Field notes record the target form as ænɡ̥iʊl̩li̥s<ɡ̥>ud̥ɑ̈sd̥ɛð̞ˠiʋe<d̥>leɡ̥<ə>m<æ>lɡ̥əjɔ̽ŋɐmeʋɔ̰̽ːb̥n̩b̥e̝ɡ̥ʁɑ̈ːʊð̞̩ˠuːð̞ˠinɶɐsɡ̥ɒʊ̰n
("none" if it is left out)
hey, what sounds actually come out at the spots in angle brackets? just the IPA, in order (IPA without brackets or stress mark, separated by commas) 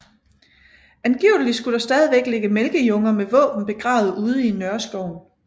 ɡ̥, ɡ̥, ə, e